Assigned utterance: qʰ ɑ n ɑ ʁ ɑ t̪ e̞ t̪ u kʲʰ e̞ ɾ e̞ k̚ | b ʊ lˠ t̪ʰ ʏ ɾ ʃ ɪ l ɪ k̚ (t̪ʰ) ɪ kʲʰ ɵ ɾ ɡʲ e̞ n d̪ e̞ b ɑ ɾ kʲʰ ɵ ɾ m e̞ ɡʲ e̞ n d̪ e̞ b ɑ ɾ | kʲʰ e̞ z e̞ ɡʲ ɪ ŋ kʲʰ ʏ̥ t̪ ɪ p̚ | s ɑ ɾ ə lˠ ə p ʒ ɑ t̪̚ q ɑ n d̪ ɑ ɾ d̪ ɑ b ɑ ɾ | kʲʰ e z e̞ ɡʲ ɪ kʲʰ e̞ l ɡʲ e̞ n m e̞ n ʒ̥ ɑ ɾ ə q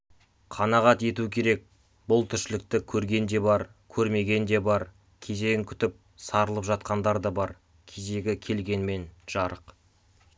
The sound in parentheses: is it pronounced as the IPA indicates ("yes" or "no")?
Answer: no